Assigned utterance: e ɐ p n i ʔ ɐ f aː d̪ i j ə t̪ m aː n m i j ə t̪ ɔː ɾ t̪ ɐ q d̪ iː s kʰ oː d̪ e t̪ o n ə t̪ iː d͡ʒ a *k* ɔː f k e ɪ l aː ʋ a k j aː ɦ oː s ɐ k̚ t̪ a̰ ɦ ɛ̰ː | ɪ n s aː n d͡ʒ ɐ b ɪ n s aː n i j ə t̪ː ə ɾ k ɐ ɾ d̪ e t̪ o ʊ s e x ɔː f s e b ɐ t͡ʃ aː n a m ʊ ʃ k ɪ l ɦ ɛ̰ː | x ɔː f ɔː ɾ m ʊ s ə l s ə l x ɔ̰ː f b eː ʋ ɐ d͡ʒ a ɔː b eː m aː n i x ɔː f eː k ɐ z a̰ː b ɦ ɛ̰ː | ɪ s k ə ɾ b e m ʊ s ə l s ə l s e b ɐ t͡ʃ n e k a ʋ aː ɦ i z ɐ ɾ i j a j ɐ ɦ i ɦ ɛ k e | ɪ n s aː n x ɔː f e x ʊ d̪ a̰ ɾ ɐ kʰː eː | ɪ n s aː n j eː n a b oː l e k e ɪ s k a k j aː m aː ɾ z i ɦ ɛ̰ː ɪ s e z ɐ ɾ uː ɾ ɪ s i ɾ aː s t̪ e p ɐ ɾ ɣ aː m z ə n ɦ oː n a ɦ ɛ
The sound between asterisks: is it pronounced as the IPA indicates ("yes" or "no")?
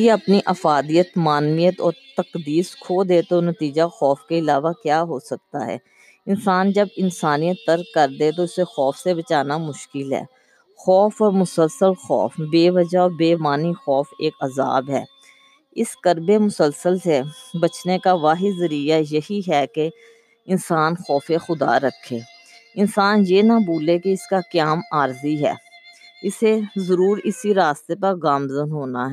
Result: no